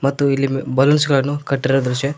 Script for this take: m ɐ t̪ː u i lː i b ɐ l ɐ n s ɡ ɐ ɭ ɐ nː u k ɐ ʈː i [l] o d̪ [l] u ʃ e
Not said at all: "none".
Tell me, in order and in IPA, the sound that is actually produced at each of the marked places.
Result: ɾ, ɾ

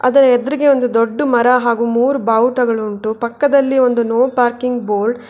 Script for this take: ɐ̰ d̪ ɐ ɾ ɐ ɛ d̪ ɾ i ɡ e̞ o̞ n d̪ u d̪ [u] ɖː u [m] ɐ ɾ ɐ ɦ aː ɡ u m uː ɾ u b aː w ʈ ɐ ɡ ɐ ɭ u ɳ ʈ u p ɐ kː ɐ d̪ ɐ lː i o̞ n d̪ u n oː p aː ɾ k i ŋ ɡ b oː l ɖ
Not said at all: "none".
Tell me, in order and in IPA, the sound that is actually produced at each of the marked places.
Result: o, m

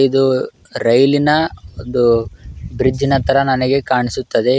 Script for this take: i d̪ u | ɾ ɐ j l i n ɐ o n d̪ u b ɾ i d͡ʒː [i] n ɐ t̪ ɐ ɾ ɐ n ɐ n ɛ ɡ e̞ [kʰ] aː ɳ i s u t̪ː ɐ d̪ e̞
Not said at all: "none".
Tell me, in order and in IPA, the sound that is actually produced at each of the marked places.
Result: i, k

